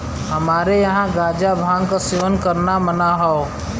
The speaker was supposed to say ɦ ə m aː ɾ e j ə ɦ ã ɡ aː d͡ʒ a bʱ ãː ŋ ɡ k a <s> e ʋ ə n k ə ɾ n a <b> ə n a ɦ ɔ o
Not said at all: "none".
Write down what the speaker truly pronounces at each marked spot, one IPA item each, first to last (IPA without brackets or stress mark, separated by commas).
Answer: s, m